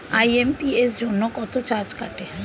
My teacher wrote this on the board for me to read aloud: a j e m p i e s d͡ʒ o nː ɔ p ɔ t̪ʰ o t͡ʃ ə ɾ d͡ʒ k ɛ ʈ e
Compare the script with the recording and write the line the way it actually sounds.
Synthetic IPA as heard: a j e m p i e s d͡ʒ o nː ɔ k ɔ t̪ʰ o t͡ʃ a ɾ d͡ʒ k a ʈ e